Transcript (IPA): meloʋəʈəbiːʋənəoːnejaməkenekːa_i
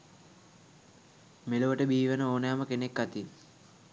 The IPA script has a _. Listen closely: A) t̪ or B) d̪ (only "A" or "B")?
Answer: A